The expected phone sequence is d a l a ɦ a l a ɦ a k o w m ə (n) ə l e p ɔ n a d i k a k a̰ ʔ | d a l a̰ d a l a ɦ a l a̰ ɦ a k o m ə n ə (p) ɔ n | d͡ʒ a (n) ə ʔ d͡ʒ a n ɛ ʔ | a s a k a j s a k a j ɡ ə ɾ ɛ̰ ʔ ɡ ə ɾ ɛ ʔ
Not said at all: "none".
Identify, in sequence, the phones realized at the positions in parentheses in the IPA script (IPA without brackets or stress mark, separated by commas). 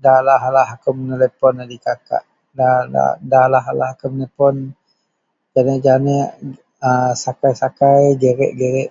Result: n, p, n